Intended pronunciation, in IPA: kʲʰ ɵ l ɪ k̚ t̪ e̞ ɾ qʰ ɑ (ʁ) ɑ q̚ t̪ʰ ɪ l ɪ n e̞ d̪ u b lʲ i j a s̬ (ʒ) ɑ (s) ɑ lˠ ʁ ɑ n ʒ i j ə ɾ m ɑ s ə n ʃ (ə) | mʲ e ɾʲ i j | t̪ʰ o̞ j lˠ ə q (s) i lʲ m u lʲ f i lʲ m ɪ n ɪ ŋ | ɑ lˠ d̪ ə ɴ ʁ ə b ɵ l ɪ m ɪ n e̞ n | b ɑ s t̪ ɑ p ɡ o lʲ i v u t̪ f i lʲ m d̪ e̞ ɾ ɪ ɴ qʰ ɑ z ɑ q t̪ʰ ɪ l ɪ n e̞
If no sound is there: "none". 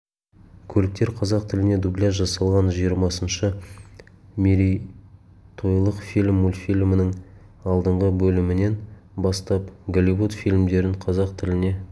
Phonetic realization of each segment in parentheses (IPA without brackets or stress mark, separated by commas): z, ʒ, s, ə, f